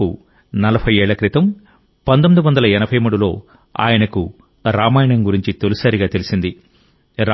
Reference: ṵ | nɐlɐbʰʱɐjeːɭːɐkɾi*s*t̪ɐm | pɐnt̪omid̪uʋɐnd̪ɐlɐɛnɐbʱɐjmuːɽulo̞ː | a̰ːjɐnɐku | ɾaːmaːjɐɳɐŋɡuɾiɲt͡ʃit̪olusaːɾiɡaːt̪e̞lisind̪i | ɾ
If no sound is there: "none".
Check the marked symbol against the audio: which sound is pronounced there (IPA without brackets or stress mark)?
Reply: none